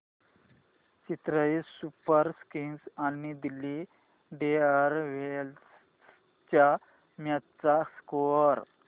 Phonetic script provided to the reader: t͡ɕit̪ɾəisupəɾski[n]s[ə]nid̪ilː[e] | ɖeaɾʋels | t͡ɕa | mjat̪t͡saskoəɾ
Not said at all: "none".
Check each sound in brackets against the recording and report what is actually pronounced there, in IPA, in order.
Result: n, a, i

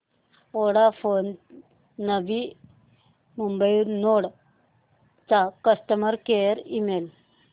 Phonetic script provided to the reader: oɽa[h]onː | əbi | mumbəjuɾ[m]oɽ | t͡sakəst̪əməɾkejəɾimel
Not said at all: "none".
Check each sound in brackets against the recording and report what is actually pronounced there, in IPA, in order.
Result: f, n

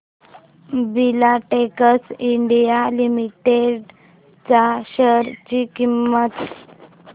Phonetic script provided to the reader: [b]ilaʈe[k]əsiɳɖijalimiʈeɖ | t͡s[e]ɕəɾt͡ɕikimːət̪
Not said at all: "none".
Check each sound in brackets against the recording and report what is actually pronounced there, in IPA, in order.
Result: b, k, a

